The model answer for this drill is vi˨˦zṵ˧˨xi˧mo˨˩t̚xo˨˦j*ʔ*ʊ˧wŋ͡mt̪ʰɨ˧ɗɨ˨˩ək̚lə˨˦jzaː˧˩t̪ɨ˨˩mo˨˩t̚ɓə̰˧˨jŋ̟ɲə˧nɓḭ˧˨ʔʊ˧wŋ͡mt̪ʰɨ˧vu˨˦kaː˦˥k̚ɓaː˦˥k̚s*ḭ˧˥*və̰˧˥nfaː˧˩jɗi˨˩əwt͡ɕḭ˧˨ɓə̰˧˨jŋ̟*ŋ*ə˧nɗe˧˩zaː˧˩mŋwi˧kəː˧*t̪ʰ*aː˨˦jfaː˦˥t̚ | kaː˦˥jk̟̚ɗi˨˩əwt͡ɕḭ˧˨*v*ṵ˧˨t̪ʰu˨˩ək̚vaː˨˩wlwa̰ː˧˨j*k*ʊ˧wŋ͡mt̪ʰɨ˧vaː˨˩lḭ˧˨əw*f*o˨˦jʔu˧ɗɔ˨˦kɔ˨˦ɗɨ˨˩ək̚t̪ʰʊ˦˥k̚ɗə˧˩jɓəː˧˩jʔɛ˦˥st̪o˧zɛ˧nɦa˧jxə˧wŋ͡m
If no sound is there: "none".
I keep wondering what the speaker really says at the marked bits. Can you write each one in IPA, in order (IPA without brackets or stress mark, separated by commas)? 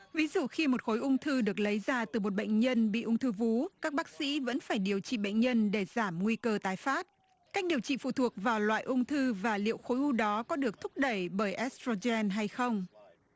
ʔ, ḭ˧˥, ɲ, t̪, f, ʔ, x